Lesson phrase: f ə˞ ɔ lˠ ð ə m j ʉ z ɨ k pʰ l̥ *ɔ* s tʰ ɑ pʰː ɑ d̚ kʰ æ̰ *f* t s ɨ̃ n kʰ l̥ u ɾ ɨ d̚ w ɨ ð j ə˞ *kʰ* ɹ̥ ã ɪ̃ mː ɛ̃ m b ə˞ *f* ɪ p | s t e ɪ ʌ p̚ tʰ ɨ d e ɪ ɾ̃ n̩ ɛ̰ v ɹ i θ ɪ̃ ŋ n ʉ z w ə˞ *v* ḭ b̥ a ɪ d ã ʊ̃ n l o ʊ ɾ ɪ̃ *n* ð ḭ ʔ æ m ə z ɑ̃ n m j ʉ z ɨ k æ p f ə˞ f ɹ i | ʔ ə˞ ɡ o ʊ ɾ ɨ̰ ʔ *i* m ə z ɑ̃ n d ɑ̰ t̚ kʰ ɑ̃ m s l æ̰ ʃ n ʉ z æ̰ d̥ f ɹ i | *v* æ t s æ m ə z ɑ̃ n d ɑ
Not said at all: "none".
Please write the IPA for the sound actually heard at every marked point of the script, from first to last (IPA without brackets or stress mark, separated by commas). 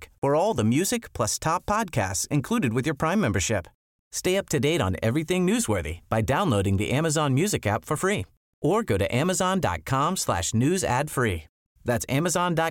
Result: ʌ, s, pʰ, ʃ, ð, ŋ, æ, ð